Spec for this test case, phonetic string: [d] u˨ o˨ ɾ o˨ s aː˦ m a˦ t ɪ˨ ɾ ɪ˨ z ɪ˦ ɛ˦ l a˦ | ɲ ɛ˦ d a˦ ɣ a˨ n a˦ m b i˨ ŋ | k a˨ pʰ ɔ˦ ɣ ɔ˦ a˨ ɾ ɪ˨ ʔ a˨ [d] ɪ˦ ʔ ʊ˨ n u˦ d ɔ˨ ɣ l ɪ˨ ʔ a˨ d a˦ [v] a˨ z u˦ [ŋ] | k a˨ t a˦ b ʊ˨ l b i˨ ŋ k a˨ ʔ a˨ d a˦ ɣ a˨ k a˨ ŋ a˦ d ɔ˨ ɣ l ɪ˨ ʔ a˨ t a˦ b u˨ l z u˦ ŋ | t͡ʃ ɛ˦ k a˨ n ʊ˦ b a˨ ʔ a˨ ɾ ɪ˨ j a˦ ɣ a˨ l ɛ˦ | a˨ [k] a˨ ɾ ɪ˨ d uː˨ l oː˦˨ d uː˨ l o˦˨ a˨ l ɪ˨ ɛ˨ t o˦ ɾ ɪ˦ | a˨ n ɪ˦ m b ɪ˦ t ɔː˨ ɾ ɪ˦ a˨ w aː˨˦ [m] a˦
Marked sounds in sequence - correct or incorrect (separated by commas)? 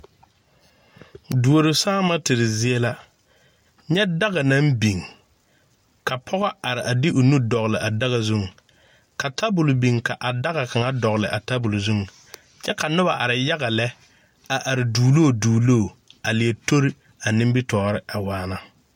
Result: correct, correct, incorrect, correct, incorrect, incorrect